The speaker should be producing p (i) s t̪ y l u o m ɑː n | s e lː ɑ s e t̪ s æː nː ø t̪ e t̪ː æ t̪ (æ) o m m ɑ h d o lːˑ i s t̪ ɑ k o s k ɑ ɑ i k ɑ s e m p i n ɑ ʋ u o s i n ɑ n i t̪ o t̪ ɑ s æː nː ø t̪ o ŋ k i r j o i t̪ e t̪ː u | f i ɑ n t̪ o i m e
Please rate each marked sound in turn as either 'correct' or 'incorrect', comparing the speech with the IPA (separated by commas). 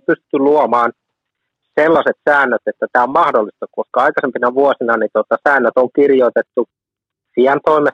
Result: incorrect, incorrect